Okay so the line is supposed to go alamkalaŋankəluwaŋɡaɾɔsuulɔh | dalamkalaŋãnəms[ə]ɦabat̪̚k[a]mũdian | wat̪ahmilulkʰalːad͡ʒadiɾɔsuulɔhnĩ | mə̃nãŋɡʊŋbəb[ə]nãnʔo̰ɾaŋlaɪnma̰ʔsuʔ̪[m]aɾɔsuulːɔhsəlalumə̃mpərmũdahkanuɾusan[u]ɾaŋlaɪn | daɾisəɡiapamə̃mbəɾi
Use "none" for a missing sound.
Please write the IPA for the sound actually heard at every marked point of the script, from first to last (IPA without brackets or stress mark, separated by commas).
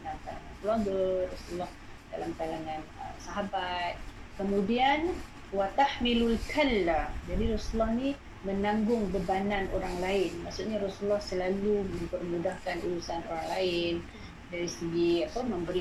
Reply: a, ə, a, ɲ, o